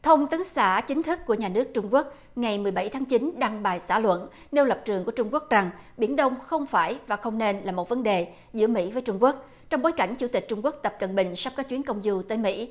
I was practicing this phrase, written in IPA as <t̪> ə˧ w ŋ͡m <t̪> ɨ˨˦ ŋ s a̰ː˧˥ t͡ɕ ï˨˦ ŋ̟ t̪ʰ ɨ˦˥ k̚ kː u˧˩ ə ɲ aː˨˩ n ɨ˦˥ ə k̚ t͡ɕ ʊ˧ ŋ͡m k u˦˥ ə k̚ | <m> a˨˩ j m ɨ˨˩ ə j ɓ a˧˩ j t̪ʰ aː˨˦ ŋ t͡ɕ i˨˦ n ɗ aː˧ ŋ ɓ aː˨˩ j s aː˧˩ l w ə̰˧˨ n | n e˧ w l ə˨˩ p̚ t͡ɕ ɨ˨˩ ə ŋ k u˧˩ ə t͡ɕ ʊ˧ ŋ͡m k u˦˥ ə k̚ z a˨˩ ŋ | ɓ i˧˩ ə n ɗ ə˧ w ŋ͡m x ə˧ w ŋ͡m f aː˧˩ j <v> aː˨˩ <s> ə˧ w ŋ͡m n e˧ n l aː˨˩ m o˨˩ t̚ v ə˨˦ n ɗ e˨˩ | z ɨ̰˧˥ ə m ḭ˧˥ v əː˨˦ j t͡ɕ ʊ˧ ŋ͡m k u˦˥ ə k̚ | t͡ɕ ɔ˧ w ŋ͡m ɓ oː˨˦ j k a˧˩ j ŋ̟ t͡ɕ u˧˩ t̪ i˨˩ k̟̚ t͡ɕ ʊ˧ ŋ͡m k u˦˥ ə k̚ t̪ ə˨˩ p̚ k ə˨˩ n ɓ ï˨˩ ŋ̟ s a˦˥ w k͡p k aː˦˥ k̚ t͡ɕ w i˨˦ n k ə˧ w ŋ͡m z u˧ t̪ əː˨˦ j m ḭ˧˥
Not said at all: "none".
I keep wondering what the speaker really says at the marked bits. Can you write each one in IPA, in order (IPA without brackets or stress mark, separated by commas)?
t̪ʰ, t̪, ŋ, v, x